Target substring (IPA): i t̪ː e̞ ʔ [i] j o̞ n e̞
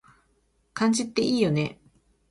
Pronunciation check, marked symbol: incorrect: iː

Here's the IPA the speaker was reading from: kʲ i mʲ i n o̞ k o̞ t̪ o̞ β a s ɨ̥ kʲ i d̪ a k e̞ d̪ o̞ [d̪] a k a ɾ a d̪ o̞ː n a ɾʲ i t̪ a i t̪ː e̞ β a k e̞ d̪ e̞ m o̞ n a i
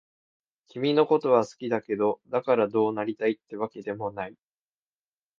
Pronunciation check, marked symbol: correct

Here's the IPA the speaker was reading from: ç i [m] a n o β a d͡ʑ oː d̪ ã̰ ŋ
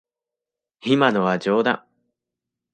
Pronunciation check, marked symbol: correct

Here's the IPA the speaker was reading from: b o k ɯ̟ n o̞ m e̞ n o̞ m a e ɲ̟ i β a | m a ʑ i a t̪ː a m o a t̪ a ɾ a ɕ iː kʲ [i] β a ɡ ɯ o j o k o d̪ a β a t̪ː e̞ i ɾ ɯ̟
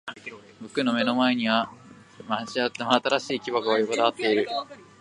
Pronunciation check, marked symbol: correct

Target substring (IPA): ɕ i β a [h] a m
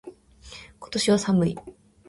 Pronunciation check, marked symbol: incorrect: s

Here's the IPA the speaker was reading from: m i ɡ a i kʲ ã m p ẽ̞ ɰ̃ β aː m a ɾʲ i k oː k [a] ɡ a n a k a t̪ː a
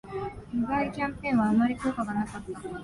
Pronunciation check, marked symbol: correct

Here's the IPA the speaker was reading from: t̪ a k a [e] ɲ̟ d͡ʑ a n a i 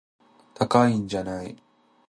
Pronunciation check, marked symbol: incorrect: i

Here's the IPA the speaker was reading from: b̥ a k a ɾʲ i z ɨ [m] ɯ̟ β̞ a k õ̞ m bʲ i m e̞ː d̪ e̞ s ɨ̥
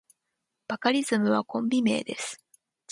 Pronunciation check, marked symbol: correct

